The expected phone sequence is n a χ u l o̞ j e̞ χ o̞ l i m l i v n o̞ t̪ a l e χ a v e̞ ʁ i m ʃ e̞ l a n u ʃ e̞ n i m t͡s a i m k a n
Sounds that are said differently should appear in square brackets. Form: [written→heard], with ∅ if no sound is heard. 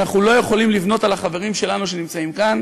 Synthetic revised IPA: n a χ u l o̞ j e̞ χ o̞ l i m l i v n o̞ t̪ a l [e→a] χ a v e̞ ʁ i m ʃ e̞ l a n u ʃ e̞ n i m t͡s a i m k a n

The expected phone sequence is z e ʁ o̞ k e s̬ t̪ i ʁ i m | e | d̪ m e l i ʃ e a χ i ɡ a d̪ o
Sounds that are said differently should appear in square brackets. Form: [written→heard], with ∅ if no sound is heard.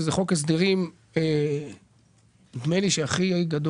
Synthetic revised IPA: z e [ʁ→χ] o̞ k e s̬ [t̪→d̪] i ʁ i m | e | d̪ m e l i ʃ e a χ i ɡ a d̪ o

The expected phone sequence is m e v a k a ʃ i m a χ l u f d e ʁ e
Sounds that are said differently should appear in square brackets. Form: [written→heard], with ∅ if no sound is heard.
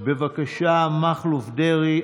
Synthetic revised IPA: [m→b] e v a k a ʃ [i→a] m a χ l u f d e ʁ [e→i]

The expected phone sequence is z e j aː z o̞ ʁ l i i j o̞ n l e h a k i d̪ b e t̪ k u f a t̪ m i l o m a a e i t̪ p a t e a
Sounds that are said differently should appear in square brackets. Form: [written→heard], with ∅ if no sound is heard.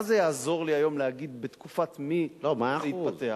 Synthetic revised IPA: z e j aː z o̞ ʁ l i [i→a] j o̞ [n→m] l e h a [k→ɡ] i d̪ b e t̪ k u f a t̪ m i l o m a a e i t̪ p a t e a

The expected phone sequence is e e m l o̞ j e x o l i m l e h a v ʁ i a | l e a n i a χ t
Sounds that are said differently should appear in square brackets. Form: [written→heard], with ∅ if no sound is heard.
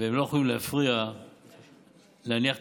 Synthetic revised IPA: e e m l o̞ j e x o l i m l e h a [v→f] ʁ i a | l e a n i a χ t

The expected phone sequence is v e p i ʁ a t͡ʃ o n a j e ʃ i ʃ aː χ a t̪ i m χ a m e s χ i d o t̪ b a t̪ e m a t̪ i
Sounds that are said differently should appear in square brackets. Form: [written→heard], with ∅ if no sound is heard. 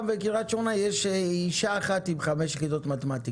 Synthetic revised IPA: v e [p→k] i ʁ a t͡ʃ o n a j e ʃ i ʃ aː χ a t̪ i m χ a m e [s→ʃ] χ i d o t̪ [b→m] a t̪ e m a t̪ i

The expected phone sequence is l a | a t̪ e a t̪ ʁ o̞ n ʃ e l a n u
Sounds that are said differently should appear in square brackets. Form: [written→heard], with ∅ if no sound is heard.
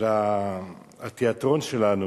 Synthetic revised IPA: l a | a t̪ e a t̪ ʁ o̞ n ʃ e l a n u

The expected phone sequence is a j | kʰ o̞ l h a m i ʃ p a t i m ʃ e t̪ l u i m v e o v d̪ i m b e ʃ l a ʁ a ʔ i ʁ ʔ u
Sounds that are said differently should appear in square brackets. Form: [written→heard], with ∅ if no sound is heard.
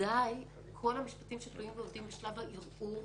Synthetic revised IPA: a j | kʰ o̞ l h a m i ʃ p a t i m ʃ e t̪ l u i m v e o v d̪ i m b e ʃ l a [ʁ→v] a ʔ i ʁ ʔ u

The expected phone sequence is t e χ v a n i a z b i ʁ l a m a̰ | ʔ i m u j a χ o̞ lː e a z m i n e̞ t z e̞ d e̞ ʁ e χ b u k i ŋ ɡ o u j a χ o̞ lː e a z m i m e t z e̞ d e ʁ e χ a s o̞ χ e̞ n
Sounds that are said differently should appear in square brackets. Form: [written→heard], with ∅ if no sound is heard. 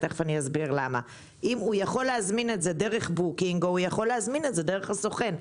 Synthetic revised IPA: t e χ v a n i a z b i ʁ l a m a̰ | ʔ i m u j a χ o̞ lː e a z m i n e̞ t z e̞ d e̞ ʁ e χ b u k i ŋ ɡ o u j a χ o̞ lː e a z m i [m→n] e t z e̞ d e ʁ e χ a s o̞ χ e̞ n

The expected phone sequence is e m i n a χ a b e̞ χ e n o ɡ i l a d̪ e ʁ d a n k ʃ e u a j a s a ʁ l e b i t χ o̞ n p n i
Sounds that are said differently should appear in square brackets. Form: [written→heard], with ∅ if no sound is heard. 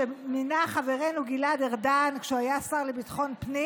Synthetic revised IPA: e m i n a χ a [b→v] e̞ [χ→ʁ] e n [o→u] ɡ i l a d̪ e ʁ d a n k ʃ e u a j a s a ʁ l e b i t χ o̞ n p n i

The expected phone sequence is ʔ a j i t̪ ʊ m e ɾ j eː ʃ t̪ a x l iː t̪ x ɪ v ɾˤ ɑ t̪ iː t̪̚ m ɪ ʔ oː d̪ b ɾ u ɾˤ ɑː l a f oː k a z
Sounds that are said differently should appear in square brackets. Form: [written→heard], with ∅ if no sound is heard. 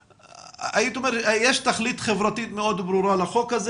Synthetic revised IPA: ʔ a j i t̪ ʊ m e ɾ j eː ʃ t̪ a x l iː t̪ x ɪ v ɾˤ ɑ t̪ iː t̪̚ m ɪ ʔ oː d̪ b ɾ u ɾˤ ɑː l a [f→x] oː k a z

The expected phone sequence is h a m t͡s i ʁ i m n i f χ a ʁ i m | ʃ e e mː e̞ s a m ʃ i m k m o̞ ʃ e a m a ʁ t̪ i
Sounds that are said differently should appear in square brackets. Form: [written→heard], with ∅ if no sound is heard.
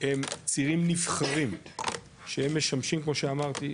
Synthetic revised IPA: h [a→e] m t͡s i ʁ i m n i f χ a ʁ i m | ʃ e e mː e̞ [s→ʃ] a m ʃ i m k m o̞ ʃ e a m a ʁ t̪ i

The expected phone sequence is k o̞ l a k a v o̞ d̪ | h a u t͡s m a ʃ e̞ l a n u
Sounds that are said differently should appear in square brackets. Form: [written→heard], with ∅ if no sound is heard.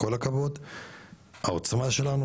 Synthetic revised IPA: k o̞ l a k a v o̞ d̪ | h a [u→o] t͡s m a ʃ e̞ l a n u

